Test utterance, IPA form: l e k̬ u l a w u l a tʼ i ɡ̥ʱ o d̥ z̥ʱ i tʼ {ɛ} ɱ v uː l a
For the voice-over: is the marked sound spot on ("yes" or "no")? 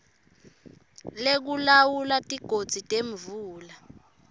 no